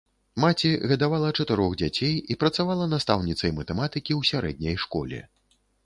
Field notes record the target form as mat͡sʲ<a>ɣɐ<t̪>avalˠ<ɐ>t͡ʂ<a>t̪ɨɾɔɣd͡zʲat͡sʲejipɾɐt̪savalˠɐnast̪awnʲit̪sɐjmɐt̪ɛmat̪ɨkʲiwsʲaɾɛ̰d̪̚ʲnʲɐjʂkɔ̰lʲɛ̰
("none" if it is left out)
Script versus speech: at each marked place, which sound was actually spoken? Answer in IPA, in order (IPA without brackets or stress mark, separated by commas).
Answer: i, d̪, ɐ, ɐ